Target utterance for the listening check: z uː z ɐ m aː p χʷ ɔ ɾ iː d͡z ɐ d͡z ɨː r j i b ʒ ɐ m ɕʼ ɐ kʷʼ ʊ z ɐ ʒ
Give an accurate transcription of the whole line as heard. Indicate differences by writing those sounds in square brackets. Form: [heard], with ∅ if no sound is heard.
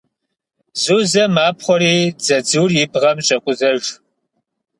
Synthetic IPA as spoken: z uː z ɐ m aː p χʷ ɔ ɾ iː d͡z ɐ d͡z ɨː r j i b [ʁ] ɐ m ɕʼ ɐ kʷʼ ʊ z ɐ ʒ